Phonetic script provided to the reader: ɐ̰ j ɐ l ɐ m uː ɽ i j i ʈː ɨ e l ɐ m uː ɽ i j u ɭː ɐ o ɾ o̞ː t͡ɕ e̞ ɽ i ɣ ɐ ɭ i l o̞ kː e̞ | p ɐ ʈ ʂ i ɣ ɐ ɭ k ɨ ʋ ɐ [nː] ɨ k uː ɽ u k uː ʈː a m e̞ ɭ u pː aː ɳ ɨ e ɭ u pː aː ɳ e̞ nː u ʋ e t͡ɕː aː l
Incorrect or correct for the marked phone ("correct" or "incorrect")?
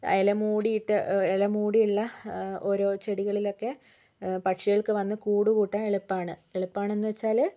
correct